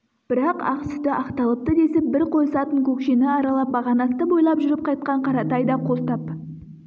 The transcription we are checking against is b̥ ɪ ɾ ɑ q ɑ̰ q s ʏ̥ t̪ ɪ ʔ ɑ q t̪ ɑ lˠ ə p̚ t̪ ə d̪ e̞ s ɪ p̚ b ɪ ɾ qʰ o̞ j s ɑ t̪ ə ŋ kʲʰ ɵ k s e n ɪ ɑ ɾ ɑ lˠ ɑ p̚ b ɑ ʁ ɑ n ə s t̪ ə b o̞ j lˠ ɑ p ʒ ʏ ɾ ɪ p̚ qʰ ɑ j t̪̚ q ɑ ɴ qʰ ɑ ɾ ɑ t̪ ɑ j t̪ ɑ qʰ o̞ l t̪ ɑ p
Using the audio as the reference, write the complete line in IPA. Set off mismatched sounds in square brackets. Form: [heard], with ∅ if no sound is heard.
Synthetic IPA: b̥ ɪ ɾ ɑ q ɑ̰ q s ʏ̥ t̪ ɪ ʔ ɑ q t̪ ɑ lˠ ə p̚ t̪ ə d̪ e̞ s ɪ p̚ b ɪ ɾ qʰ o̞ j s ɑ t̪ ə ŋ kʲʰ ɵ k [ʃ] e n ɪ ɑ ɾ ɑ lˠ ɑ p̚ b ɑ ʁ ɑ n [ɑ] s t̪ ə b o̞ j lˠ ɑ p ʒ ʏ ɾ ɪ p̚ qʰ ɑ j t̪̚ q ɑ ɴ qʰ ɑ ɾ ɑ t̪ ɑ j [d̪] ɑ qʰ o̞ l t̪ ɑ p